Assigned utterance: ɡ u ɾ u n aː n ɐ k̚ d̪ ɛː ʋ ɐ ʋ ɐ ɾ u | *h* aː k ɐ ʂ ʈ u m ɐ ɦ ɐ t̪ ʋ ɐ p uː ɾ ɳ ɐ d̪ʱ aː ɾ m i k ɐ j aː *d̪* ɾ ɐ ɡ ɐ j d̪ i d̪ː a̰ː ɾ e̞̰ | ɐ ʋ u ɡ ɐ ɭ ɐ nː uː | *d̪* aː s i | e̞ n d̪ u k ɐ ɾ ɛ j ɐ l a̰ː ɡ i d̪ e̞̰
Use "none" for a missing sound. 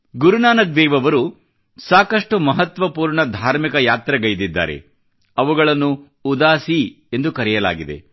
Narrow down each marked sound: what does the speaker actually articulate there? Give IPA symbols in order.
s, t̪, d̪

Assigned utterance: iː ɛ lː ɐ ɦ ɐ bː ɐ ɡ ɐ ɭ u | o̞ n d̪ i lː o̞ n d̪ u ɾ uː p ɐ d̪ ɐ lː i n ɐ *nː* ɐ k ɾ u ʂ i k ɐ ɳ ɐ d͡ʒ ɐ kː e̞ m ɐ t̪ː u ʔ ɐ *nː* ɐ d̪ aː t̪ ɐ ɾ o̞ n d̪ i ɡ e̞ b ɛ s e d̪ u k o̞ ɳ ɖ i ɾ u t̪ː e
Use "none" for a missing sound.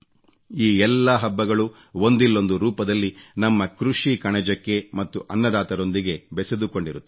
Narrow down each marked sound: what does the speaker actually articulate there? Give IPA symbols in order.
mː, nː

